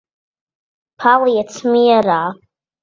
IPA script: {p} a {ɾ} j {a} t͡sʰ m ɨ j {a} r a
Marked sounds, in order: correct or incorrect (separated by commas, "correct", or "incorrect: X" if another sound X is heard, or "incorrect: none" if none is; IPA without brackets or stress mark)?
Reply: incorrect: pʰ, incorrect: l, correct, correct